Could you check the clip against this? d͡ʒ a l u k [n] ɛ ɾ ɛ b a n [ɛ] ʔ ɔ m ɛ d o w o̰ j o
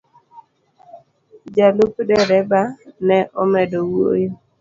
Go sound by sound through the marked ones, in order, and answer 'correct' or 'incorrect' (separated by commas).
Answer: incorrect, correct